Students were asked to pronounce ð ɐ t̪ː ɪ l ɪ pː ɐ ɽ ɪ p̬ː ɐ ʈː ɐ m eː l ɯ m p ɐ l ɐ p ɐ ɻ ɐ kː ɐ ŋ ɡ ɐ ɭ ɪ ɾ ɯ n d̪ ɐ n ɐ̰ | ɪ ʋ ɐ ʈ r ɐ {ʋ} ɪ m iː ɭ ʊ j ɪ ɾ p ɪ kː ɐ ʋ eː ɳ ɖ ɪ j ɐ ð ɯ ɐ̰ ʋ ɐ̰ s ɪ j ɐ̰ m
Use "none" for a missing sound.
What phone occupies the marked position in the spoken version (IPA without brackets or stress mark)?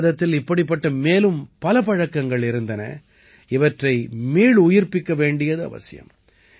none